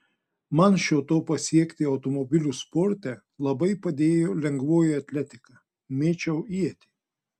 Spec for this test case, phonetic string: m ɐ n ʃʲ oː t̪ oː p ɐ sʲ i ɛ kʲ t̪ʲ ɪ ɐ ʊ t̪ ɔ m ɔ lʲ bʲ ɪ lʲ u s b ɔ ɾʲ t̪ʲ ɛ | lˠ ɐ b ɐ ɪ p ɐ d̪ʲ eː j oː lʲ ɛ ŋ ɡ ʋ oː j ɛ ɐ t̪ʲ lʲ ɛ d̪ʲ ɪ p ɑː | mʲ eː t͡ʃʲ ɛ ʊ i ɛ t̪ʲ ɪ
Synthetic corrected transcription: m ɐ n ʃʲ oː t̪ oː p ɐ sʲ i ɛ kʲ t̪ʲ ɪ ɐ ʊ t̪ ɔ m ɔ bʲ ɪ lʲ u s p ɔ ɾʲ t̪ʲ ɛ | lˠ ɐ b ɐ ɪ p ɐ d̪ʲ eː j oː lʲ ɛ ŋ ɡ ʋ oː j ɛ ɐ t̪ʲ lʲ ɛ t̪ʲ ɪ k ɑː | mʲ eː t͡ʃʲ ɛ ʊ i ɛ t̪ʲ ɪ